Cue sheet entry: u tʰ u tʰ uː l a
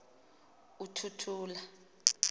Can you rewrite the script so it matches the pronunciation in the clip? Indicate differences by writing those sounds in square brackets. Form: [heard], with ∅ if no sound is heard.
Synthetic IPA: u tʰ u tʰ uː l a